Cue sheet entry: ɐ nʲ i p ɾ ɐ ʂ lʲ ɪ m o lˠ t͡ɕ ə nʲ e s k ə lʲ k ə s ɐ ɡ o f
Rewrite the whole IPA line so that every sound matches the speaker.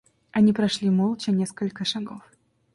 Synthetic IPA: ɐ nʲ i p ɾ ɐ ʂ lʲ i m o lˠ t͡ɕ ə nʲ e s k ə lʲ k ə ʂ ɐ ɡ o f